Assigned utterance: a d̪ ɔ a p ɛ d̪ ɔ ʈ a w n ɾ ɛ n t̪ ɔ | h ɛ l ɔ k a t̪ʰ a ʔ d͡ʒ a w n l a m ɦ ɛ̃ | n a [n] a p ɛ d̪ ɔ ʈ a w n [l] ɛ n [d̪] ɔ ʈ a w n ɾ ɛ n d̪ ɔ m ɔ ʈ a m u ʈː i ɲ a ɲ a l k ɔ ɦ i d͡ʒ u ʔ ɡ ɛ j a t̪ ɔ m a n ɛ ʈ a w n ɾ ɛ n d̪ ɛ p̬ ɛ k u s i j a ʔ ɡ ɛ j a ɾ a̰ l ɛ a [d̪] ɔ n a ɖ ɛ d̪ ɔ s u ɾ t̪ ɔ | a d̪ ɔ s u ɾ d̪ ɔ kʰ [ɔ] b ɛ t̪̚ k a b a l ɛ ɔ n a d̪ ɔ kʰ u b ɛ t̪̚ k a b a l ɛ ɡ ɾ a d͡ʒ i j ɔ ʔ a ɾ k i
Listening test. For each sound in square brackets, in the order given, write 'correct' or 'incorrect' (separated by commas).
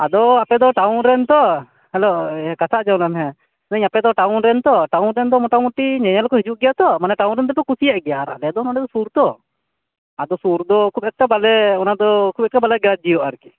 incorrect, incorrect, incorrect, correct, incorrect